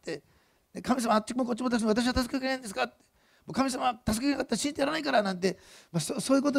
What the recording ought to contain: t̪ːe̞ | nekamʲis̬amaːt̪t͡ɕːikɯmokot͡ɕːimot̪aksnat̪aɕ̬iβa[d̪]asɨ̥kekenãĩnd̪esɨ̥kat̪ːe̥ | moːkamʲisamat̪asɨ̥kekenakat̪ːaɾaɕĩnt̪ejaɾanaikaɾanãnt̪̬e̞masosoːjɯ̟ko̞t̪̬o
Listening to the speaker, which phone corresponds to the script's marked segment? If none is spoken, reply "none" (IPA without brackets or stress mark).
t̪